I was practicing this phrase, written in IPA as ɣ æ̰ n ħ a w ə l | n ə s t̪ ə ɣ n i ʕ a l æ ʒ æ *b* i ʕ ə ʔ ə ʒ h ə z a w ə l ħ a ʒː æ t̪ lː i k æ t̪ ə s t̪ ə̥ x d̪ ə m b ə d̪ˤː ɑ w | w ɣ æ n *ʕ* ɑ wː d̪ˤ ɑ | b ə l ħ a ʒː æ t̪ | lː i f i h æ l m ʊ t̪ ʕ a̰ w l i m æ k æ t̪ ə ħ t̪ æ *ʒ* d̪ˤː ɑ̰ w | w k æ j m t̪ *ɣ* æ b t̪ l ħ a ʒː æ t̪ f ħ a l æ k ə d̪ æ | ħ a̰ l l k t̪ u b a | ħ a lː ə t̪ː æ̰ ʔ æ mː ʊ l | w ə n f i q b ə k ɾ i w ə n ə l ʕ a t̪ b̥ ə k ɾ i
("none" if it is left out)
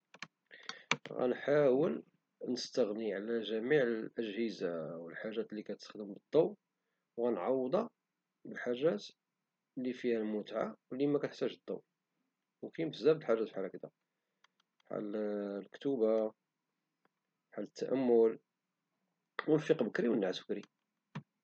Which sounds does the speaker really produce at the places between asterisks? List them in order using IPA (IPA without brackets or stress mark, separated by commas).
m, ʕ, ʒ, z